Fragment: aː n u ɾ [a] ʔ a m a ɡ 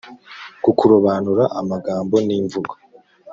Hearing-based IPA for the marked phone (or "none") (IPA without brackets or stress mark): a